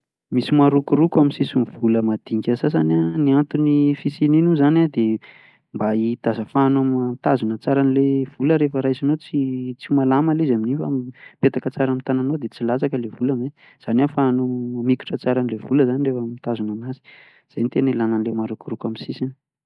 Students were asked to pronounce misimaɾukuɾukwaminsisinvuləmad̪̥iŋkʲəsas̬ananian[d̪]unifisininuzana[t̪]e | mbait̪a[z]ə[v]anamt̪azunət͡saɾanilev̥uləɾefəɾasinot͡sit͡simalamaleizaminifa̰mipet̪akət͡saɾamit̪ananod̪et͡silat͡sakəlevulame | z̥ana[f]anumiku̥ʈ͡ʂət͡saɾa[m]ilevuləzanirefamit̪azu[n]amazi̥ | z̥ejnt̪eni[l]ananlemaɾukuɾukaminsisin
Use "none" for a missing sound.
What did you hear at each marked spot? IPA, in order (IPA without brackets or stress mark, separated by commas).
t̪, d̪, z, f, f, n, n, l